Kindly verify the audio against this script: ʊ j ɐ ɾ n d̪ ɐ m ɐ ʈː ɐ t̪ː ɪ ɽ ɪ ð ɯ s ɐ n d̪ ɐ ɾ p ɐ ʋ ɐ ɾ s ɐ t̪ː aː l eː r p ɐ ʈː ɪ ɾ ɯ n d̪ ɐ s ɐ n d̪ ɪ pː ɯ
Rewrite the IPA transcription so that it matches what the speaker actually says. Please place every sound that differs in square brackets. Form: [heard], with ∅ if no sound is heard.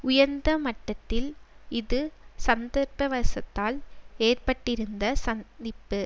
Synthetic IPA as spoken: ʊ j ɐ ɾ n d̪ ɐ m ɐ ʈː ɐ t̪ː ɪ [l] ɪ ð ɯ s ɐ n d̪ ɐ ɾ p ɐ ʋ ɐ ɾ s ɐ t̪ː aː l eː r p ɐ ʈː ɪ ɾ ɯ n d̪ ɐ s ɐ n d̪ ɪ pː ɯ